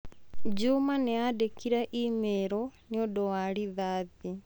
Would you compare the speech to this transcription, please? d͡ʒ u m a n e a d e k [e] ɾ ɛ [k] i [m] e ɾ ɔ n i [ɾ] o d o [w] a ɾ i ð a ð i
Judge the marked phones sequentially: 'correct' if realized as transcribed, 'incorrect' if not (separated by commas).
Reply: incorrect, incorrect, correct, incorrect, correct